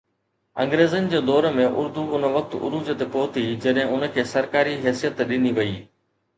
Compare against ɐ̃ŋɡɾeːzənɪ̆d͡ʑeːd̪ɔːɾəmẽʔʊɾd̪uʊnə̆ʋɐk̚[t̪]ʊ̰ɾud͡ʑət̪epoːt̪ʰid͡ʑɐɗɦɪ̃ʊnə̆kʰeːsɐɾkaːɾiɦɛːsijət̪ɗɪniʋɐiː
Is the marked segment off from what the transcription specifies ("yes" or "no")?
no